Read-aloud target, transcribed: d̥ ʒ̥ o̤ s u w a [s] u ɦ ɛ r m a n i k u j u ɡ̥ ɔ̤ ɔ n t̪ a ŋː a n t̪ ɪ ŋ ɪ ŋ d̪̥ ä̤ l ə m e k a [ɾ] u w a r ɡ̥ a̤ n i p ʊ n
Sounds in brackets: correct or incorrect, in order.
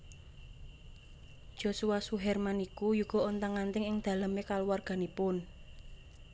correct, incorrect

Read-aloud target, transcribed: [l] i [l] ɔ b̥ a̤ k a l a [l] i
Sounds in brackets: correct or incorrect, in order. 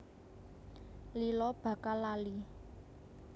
correct, correct, correct

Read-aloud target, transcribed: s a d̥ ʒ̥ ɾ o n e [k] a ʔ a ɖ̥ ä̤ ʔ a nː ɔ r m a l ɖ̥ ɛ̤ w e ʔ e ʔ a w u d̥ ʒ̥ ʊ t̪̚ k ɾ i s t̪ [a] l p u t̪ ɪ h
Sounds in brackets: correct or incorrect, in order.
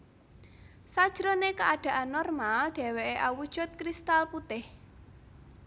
correct, correct

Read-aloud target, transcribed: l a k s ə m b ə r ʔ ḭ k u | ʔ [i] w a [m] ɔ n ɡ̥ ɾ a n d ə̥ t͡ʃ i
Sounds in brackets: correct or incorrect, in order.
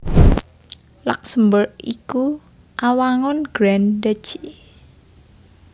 incorrect, incorrect

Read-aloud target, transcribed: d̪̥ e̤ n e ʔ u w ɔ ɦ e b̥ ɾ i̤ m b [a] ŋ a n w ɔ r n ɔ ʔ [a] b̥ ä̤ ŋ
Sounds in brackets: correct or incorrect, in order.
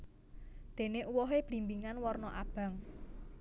incorrect, correct

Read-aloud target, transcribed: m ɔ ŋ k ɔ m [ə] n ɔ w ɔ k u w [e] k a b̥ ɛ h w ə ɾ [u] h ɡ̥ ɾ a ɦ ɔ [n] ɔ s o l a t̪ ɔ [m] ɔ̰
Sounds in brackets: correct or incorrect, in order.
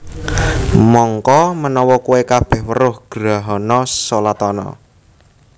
correct, correct, incorrect, correct, incorrect

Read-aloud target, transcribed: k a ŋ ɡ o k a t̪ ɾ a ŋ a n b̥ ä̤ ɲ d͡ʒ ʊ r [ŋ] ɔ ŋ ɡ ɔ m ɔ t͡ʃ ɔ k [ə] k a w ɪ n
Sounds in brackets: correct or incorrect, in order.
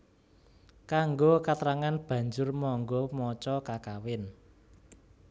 incorrect, incorrect

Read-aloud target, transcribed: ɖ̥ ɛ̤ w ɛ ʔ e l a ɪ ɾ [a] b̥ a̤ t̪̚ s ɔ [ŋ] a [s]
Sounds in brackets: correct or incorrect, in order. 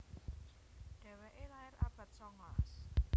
correct, correct, correct

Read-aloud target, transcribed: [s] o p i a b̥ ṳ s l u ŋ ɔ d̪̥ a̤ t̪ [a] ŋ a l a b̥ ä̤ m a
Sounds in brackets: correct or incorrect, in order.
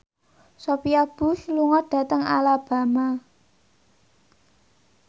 correct, incorrect

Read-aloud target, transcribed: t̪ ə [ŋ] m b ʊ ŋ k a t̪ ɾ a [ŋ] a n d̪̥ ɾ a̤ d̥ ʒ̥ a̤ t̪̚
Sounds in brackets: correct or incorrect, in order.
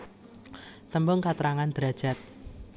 incorrect, correct

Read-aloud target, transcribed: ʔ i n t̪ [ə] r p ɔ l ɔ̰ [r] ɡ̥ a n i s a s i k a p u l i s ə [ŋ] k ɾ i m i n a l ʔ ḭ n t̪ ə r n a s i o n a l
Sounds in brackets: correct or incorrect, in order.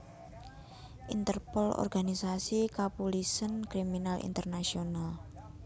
correct, correct, incorrect

